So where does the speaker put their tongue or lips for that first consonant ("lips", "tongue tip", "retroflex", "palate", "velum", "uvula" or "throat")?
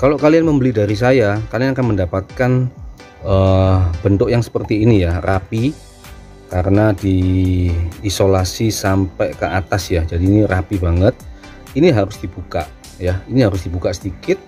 velum